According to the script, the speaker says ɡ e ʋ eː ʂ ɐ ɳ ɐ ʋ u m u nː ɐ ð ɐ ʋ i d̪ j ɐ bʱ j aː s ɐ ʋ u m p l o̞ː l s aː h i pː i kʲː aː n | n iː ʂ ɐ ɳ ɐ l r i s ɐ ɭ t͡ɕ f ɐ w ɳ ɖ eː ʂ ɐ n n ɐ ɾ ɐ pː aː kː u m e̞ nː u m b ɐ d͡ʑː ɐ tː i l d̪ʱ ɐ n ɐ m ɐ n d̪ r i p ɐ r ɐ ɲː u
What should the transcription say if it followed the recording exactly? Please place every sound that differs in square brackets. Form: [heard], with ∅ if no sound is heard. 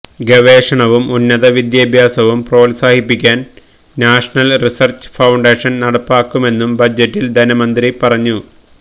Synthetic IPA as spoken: ɡ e ʋ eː ʂ ɐ ɳ ɐ ʋ u m u nː ɐ ð ɐ ʋ i d̪ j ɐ bʱ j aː s ɐ ʋ u m p [r] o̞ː l s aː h i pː i kʲː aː n | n [aː] ʂ ɐ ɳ ɐ l r i s ɐ [r] t͡ɕ f ɐ w ɳ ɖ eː ʂ ɐ n n ɐ [ɽ] ɐ pː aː kː u m e̞ nː u m b ɐ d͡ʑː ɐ tː i l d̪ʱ ɐ n ɐ m ɐ n d̪ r i p ɐ r ɐ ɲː u